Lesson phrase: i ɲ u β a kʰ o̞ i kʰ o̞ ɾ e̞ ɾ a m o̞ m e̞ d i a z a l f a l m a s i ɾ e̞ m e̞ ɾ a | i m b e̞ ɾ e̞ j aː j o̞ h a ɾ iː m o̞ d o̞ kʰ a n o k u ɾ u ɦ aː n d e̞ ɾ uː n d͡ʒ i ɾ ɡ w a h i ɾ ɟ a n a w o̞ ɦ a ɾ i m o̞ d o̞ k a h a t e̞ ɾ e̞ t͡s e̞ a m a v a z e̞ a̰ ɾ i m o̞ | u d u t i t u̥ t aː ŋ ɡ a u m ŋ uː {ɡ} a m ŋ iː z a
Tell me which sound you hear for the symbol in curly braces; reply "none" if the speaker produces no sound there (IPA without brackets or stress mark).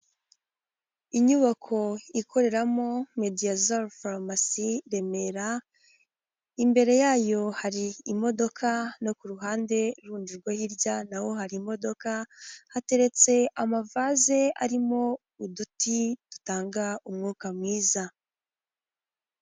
k